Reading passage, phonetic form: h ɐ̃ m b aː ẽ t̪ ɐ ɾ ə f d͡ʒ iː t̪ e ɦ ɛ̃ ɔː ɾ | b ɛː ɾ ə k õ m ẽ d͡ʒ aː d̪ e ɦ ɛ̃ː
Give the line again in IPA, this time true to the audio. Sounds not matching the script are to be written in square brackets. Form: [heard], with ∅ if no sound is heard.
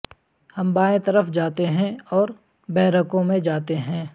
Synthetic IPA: h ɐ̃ m b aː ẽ t̪ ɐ ɾ ə f d͡ʒ [aː] t̪ e ɦ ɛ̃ ɔː ɾ | b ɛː ɾ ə k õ m ẽ d͡ʒ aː [t̪] e ɦ ɛ̃ː